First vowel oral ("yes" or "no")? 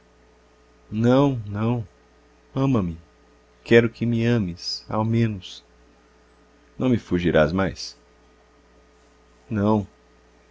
no